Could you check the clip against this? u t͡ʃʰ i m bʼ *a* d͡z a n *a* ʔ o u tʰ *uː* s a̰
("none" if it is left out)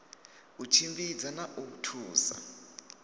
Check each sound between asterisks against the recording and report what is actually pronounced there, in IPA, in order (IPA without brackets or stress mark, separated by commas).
i, a, uː